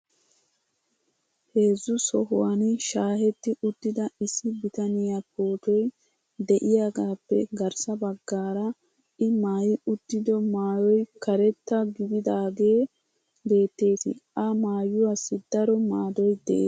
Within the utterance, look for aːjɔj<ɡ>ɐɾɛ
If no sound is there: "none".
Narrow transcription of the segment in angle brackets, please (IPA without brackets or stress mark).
k